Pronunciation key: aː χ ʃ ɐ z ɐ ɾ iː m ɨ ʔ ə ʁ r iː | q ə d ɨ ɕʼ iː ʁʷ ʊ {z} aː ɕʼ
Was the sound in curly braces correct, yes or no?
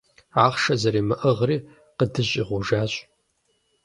no